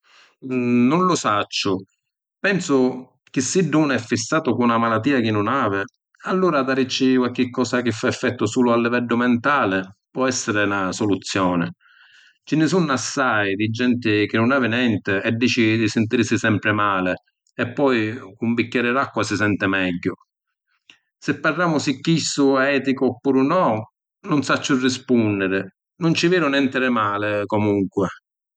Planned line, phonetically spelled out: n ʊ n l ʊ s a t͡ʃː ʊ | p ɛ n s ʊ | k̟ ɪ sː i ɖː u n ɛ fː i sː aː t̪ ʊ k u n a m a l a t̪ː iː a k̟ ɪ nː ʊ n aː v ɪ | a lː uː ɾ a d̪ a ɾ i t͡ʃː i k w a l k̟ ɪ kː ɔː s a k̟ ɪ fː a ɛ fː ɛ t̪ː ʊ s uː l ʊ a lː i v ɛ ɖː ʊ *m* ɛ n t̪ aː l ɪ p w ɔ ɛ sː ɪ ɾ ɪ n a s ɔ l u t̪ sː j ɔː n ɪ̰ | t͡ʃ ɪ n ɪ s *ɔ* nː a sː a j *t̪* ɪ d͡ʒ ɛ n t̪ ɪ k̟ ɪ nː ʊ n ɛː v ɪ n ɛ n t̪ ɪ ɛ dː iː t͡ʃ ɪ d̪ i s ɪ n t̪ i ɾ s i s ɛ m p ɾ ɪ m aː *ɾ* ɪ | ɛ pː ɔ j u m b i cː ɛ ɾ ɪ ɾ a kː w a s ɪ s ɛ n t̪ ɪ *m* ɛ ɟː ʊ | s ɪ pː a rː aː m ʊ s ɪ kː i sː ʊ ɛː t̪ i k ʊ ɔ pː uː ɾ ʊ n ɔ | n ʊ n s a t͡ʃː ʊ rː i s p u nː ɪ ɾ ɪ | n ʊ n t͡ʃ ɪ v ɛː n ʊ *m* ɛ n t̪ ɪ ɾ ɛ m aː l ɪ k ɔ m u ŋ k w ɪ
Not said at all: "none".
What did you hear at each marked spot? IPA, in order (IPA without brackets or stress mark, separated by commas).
m, u, d̪, l, m, n